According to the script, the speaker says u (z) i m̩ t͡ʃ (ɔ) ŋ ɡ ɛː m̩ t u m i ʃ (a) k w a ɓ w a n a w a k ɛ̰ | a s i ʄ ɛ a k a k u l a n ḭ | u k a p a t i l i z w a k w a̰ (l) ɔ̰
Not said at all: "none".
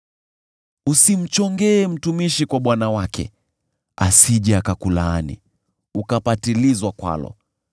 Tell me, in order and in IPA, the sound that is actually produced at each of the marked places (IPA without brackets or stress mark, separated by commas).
s, ɔ, i, l